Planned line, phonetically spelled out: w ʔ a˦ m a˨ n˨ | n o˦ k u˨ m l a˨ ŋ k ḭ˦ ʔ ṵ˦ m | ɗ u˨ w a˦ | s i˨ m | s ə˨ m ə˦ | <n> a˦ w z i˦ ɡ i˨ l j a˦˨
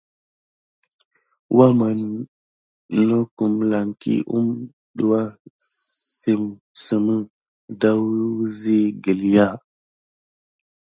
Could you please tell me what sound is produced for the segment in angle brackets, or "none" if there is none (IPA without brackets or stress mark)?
d